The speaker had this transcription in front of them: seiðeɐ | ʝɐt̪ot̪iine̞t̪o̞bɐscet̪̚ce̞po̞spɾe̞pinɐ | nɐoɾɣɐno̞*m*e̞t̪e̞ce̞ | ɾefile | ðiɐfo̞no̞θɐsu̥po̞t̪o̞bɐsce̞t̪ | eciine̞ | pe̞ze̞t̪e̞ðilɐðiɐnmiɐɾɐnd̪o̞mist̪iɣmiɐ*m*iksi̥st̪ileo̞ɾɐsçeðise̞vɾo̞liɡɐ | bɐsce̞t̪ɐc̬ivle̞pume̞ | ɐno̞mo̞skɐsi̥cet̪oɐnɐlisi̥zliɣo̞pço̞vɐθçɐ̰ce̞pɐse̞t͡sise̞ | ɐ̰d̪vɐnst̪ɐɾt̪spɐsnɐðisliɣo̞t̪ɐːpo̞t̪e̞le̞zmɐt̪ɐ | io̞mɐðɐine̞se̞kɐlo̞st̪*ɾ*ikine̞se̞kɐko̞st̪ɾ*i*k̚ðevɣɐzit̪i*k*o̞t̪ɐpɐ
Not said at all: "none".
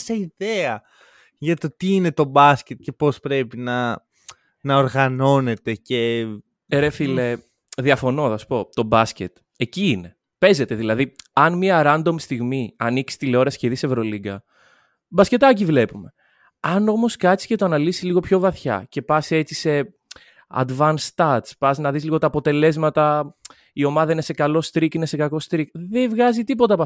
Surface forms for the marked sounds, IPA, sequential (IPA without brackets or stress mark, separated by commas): n, n, ɾ, i, p